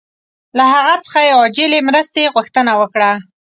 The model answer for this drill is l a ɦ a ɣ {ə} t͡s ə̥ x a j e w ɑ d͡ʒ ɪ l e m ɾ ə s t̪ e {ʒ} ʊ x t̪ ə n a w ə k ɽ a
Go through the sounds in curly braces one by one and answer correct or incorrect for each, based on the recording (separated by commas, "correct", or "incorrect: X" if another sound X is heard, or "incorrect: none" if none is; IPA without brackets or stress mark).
incorrect: a, incorrect: ɣ